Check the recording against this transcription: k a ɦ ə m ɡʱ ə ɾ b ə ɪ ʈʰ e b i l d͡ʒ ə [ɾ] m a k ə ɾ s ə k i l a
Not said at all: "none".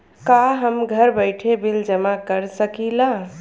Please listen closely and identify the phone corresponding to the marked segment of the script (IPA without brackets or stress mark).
none